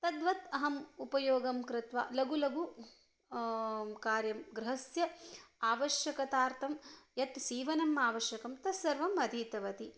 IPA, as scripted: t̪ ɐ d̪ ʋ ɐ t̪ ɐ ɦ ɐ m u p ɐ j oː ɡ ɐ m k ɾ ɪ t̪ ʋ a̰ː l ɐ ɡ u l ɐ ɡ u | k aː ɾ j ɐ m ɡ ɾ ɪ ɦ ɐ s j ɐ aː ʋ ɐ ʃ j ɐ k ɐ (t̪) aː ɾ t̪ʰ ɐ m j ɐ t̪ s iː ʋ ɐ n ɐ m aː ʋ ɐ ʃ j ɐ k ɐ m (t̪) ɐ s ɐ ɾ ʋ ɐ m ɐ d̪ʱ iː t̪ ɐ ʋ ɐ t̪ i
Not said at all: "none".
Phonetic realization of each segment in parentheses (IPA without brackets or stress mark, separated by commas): t̪, t̪